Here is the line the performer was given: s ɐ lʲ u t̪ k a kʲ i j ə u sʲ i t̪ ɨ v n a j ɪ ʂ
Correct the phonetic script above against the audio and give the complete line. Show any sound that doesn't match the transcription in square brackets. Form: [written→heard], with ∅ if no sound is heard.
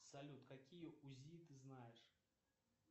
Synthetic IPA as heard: s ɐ lʲ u t̪ k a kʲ i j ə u [sʲ→zʲ] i t̪ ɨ [v→z] n a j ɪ ʂ